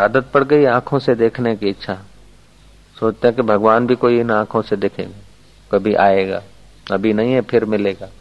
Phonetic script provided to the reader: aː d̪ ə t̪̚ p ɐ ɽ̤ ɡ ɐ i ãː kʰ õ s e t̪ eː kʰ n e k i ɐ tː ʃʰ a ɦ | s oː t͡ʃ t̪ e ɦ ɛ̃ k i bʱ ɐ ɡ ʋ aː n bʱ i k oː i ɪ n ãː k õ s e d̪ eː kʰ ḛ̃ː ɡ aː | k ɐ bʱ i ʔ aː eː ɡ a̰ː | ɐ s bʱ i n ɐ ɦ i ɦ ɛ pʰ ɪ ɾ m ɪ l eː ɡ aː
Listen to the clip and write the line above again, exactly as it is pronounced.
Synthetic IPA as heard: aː d̪ ə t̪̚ p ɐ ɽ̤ ɡ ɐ i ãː kʰ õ s e d̪ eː kʰ n e k i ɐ tː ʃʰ a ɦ | s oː t͡ʃ t̪ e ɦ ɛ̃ k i bʱ ɐ ɡ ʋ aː n bʱ i k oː i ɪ n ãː kʰ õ s e d̪ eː kʰ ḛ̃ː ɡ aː | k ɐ bʱ i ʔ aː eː ɡ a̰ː | ɐ bʱ i n ɐ ɦ ĩ ɦ ɛ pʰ ɪ ɾ m ɪ l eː ɡ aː